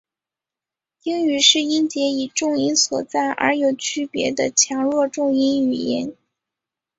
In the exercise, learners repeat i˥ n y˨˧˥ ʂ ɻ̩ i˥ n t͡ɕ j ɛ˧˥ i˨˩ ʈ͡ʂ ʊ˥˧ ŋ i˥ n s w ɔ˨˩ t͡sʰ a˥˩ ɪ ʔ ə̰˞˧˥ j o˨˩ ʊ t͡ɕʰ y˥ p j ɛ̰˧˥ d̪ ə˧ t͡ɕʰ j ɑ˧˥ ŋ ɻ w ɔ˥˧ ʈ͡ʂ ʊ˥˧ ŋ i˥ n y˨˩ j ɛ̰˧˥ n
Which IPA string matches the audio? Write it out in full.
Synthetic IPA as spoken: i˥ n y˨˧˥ ʂ ɻ̩ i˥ n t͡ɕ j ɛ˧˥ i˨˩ ʈ͡ʂ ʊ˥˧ ŋ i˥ n s w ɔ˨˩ t͡s a˥˩ ɪ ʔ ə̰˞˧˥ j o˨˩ ʊ t͡ɕʰ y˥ p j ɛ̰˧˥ d̪ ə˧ t͡ɕʰ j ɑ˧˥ ŋ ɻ w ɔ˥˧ ʈ͡ʂ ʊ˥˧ ŋ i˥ n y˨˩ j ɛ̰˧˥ n